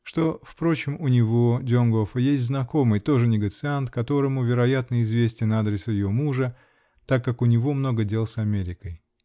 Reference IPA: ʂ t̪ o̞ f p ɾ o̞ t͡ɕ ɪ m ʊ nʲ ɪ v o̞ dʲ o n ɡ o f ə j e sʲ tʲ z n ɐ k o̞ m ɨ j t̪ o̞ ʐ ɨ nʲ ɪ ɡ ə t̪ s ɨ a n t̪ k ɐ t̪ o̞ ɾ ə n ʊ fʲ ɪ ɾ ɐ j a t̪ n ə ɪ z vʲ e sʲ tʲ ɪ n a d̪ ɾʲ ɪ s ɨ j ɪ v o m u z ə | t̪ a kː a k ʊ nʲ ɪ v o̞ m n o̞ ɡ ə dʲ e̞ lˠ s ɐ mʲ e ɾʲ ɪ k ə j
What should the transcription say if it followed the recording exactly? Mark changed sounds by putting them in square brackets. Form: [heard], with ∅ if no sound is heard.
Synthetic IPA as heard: ʂ t̪ o̞ f p ɾ o̞ t͡ɕ ɪ m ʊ nʲ ɪ v o̞ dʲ o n ɡ o f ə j e sʲ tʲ z n ɐ k o̞ m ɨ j t̪ o̞ ʐ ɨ nʲ ɪ ɡ ə t̪ s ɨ a n t̪ k ɐ t̪ o̞ ɾ ə [m] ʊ [vʲ] ɪ ɾ ɐ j a t̪ n ə ɪ z vʲ e sʲ tʲ ɪ n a d̪ ɾʲ ɪ s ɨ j ɪ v o m u [ʐ] ə | t̪ a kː a k ʊ nʲ ɪ v o̞ m n o̞ ɡ ə dʲ e̞ lˠ s ɐ mʲ e ɾʲ ɪ k ə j

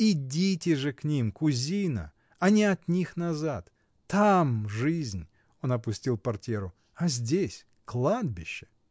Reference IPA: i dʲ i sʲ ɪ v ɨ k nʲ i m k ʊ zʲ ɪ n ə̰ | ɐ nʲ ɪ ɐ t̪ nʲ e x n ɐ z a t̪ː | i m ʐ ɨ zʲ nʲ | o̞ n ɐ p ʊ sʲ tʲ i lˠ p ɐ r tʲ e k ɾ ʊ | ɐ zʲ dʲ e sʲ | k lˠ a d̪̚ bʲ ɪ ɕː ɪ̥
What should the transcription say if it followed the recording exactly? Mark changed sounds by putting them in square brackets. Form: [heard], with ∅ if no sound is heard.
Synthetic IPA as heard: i dʲ i [tʲ] ɪ [ʐ] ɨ k nʲ i m k ʊ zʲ [i] n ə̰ | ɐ nʲ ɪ ɐ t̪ nʲ [i] x n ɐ z a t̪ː | [a] m ʐ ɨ zʲ nʲ | o̞ n ɐ p ʊ sʲ tʲ i lˠ p ɐ r tʲ e [∅] ɾ ʊ | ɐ zʲ dʲ e sʲ | k lˠ a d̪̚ bʲ ɪ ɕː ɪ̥

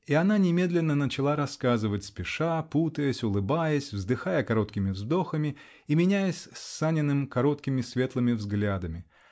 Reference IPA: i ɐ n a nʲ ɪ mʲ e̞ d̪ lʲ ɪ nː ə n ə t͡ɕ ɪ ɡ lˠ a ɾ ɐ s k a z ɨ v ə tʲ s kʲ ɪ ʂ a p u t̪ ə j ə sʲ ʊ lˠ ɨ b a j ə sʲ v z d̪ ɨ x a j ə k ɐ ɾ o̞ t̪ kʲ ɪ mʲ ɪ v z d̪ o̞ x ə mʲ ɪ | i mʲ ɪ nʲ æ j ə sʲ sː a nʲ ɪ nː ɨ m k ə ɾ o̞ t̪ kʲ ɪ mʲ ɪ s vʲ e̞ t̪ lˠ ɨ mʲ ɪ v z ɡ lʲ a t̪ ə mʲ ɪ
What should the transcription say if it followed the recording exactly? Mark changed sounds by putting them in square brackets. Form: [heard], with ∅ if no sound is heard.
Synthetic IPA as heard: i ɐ n a nʲ ɪ mʲ e̞ d̪ lʲ ɪ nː ə n ə t͡ɕ ɪ [∅] lˠ a ɾ ɐ s k a z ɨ v ə tʲ s [pʲ] ɪ ʂ a p u t̪ ə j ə sʲ ʊ lˠ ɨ b a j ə sʲ v z d̪ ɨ x a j ə k ɐ ɾ o̞ t̪ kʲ ɪ mʲ ɪ v z d̪ o̞ x ə mʲ ɪ | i mʲ ɪ nʲ æ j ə sʲ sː a nʲ ɪ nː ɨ m k [ɐ] ɾ o̞ t̪ kʲ ɪ mʲ ɪ s vʲ e̞ t̪ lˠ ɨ mʲ ɪ v z ɡ lʲ a [d̪] ə mʲ ɪ

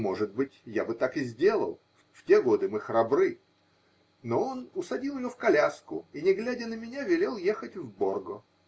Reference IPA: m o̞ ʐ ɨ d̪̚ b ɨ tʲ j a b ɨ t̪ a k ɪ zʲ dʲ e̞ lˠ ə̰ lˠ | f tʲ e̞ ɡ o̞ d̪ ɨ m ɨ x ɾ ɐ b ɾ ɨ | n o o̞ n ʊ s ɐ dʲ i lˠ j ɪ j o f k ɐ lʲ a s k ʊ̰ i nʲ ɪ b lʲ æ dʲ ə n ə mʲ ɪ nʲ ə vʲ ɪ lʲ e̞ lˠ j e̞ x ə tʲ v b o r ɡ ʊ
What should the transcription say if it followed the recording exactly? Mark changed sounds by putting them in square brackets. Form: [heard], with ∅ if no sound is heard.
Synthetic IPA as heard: m o̞ ʐ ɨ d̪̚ b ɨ tʲ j a b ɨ t̪ a k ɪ zʲ dʲ e̞ lˠ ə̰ lˠ | f tʲ e̞ ɡ o̞ d̪ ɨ m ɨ x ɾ ɐ b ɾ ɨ | n o o̞ n ʊ s ɐ dʲ i lˠ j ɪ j o f k ɐ lʲ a s k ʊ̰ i nʲ ɪ [ɡ] lʲ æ dʲ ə n ə mʲ ɪ nʲ [a] vʲ ɪ lʲ e̞ lˠ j e̞ x ə tʲ v b o r ɡ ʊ

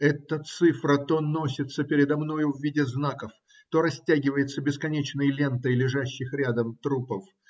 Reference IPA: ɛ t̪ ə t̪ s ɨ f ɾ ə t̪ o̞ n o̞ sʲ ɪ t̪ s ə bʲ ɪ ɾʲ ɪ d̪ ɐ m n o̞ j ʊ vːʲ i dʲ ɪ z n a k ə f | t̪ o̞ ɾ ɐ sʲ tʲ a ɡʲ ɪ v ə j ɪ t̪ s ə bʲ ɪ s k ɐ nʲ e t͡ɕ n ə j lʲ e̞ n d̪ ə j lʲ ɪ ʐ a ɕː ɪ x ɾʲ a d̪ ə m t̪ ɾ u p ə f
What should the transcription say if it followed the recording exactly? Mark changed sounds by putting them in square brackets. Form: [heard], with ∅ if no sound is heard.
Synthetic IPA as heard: ɛ t̪ ə t̪ s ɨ f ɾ ə t̪ o̞ n o̞ sʲ ɪ t̪ s ə [pʲ] ɪ ɾʲ ɪ d̪ ɐ m n o̞ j ʊ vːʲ i dʲ ɪ z n a k ə f | t̪ o̞ ɾ ɐ sʲ tʲ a ɡʲ ɪ v ə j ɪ t̪ s ə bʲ ɪ s k ɐ nʲ e t͡ɕ n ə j lʲ e̞ n [t̪] ə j lʲ ɪ ʐ a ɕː ɪ x ɾʲ a d̪ ə m t̪ ɾ u p ə f

